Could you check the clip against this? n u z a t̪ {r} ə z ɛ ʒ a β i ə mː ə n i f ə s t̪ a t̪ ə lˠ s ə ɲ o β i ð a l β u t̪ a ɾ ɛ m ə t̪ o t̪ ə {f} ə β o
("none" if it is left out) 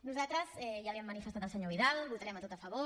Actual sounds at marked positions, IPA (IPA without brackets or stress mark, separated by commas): ɾ, f